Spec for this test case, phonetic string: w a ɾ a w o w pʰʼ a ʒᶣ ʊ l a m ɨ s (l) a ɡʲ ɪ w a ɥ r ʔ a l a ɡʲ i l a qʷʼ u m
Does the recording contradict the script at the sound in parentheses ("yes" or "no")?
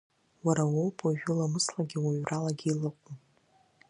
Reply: no